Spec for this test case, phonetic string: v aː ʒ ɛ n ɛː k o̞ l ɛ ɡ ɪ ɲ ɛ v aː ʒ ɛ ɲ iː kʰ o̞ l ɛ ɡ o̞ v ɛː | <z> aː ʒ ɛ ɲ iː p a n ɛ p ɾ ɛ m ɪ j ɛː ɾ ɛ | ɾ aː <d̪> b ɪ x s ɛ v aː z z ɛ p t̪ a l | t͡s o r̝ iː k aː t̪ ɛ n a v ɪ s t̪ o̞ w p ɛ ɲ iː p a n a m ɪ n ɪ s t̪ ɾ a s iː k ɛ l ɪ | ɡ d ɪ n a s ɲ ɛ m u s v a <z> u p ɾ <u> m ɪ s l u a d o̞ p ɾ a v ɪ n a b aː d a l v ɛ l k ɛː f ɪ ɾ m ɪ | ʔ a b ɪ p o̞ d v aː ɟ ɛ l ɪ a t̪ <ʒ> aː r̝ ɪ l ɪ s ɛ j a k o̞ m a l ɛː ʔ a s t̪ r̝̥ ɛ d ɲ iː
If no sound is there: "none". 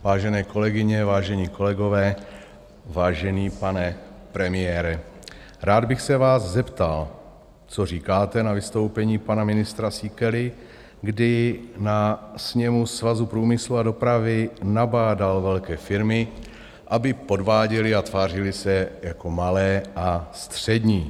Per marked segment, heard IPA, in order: v, d̪, z, uː, v

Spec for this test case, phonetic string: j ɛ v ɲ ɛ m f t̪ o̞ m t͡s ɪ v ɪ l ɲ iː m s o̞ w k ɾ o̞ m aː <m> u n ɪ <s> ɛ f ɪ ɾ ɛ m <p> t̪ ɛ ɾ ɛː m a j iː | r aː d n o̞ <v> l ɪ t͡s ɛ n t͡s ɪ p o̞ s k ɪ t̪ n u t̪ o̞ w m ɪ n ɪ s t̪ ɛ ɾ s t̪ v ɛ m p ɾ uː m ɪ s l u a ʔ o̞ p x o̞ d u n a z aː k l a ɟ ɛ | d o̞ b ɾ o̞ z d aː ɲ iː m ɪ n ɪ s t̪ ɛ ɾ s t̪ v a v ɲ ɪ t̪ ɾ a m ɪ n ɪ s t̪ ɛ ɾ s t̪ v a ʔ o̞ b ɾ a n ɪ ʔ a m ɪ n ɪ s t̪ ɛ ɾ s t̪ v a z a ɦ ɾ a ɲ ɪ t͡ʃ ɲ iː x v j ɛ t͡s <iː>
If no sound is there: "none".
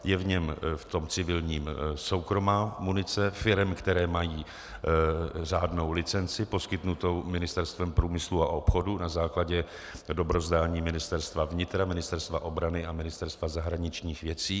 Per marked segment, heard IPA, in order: m, t͡s, k, w, iː

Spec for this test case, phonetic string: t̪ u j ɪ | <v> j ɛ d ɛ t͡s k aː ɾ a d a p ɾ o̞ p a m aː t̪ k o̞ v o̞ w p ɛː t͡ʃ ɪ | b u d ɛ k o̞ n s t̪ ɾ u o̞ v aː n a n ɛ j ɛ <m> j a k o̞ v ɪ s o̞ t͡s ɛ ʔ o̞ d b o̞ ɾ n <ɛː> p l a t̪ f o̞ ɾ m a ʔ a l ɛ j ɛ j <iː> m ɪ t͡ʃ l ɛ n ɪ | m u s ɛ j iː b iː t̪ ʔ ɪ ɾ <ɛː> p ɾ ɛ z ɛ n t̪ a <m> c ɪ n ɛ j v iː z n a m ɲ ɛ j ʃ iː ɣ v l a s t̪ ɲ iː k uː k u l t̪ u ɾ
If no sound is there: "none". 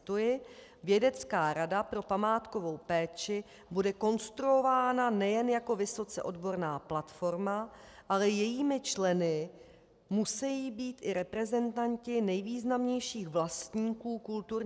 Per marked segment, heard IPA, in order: v, n, aː, iː, ɛ, ɲ

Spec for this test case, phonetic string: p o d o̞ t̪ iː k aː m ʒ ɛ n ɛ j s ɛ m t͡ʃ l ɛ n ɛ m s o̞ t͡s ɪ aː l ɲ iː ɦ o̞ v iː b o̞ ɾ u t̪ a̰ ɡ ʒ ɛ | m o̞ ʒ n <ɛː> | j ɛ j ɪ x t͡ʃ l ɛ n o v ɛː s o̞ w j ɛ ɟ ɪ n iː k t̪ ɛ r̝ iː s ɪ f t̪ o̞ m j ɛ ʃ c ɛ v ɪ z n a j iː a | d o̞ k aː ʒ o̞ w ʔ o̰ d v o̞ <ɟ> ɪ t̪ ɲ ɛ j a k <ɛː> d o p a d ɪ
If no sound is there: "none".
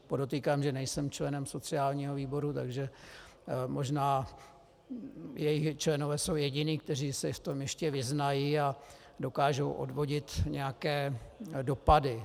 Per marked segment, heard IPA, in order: aː, ɟ, ɛː

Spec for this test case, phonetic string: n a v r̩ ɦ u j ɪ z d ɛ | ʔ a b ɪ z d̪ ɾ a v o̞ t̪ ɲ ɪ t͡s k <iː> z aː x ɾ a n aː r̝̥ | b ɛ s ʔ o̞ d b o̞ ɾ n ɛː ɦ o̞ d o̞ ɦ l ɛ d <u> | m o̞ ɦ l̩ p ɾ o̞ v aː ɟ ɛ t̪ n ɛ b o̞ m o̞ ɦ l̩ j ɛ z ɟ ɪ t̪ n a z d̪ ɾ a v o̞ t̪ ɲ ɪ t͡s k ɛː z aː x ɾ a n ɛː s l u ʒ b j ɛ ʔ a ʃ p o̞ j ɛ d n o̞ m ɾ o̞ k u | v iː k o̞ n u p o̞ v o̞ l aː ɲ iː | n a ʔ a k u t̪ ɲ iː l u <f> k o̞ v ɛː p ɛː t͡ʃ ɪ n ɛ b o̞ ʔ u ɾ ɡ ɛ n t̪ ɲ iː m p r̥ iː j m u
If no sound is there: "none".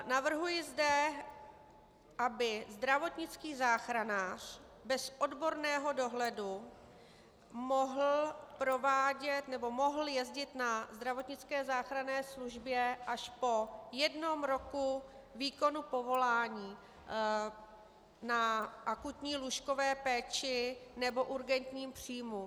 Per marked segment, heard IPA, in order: iː, u, ʃ

